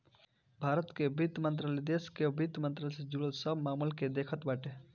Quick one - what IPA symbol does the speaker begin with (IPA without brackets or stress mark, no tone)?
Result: bʱ